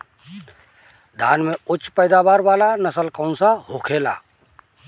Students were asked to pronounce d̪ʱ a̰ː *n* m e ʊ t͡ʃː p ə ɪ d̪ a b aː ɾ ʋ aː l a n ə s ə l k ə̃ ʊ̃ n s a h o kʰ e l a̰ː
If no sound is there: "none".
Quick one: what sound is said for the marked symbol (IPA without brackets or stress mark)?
n